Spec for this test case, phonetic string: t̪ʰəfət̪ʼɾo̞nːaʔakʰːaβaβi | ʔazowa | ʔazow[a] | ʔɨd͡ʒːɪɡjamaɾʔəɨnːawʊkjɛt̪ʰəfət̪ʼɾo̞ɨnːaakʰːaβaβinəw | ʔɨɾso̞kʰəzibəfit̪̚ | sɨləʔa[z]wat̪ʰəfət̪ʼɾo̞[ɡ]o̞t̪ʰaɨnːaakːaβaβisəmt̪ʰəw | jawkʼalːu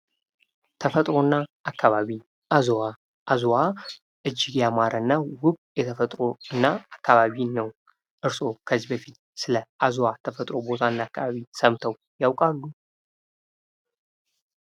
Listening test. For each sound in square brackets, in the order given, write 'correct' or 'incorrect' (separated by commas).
correct, correct, incorrect